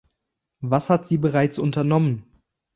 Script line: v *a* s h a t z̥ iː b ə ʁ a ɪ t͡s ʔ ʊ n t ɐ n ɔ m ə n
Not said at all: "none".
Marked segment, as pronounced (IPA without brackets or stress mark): a